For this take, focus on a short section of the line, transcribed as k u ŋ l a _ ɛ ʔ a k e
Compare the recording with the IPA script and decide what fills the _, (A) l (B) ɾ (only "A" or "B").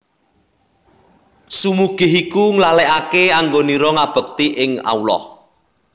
A